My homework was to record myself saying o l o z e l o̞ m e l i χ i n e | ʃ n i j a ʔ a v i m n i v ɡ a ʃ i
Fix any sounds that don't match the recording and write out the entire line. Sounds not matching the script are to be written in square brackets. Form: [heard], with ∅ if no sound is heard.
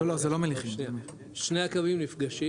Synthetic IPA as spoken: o l o z e l o̞ m e l i χ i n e | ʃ n [e] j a [k] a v i m n i [f] ɡ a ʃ i

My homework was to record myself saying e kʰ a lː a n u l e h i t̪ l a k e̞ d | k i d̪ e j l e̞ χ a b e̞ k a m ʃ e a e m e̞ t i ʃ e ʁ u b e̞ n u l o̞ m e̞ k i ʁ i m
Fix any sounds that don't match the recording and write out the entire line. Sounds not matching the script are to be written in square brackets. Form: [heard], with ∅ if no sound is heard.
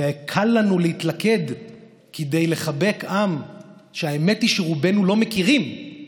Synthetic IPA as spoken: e kʰ a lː a n u l e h i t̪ l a k e̞ d | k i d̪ e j l e̞ χ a b e̞ k a m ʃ e a e m e̞ t i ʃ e ʁ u b e̞ n u l o̞ m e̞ k i ʁ i m

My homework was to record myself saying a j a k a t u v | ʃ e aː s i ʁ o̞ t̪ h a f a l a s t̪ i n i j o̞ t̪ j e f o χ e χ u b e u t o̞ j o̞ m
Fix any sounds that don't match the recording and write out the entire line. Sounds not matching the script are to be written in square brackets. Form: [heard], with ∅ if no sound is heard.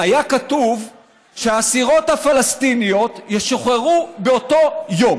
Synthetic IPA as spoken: a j a k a t u v | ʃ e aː s i ʁ o̞ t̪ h a f a l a s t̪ i n i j o̞ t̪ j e [ʃ] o χ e [ʁ] u b e [o] t o̞ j o̞ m

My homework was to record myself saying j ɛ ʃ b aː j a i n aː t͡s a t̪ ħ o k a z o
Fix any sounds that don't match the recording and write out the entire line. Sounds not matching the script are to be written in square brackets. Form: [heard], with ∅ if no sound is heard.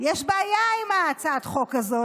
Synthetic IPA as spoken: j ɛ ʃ b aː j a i [m] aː t͡s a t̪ [χ] o k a z o

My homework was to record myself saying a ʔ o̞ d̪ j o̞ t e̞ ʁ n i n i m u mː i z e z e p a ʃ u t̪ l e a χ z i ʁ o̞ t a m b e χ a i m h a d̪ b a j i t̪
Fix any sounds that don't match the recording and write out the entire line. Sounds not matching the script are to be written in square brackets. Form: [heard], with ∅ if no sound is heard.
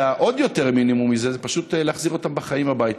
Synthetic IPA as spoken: a ʔ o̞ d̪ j o̞ t e̞ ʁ [m] i n i m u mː i z e z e p a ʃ u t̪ l e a χ z i ʁ o̞ t a m b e χ a i m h a [∅] b a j i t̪

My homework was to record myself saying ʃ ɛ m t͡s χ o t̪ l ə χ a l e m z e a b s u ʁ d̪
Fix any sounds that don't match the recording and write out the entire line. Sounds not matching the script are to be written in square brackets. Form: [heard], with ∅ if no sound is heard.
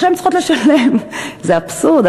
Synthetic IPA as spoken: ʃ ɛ m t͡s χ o t̪ l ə [ʃ] a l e m z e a [p] s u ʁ d̪

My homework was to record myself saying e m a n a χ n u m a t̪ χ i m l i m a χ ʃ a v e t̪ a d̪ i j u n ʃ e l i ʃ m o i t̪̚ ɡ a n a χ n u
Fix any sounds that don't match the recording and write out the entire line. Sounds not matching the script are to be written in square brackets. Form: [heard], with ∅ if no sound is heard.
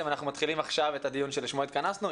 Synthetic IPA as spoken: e m a n a χ n u m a t̪ χ i [∅] l i m a χ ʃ a v e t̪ a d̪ i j u n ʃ e l i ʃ m o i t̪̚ [k] a n a [s] n u

